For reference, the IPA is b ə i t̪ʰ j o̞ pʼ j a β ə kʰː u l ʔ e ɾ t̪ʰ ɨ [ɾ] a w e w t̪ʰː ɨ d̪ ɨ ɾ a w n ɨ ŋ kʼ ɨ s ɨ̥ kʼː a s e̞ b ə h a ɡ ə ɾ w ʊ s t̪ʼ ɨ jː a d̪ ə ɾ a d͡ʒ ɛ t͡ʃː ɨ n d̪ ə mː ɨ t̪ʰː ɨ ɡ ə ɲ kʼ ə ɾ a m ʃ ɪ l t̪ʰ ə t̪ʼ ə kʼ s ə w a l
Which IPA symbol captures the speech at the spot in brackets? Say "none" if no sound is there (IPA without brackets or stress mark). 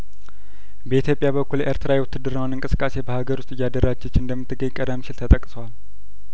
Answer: ɾ